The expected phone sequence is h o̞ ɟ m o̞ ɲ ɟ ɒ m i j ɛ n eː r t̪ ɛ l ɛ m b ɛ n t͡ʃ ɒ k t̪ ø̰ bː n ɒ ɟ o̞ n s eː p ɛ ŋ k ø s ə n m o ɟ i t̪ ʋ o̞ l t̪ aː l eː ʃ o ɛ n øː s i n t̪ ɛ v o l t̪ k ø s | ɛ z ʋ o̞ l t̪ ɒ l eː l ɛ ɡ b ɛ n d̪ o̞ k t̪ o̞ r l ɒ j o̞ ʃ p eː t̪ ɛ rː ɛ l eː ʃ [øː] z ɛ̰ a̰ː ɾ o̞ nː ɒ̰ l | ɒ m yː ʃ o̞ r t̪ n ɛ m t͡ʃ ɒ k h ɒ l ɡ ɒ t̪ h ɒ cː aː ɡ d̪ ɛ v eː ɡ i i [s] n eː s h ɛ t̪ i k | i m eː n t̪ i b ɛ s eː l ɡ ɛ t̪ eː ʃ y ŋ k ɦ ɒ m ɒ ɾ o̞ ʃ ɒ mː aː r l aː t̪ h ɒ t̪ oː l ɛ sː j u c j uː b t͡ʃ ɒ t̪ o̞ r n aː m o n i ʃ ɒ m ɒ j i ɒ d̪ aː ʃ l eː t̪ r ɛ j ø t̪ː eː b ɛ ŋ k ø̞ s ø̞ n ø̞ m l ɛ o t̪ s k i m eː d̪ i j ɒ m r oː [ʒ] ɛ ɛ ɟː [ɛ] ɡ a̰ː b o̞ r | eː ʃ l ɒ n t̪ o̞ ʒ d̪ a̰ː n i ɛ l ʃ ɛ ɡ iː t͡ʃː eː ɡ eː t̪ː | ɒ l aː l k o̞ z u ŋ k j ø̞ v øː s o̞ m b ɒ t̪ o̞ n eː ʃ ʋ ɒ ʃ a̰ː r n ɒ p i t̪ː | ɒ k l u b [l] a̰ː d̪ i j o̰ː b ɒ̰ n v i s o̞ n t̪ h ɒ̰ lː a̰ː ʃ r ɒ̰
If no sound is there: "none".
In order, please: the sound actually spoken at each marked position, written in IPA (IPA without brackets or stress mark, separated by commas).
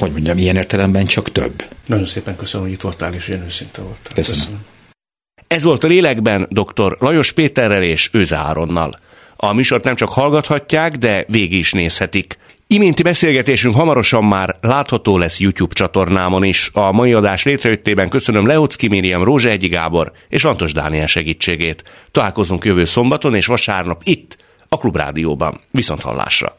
øː, ʃ, ʒ, i, r